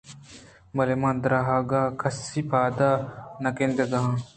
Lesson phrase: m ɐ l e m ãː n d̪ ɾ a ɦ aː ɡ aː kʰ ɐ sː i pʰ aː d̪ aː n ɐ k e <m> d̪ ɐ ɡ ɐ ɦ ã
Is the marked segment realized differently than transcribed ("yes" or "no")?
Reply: yes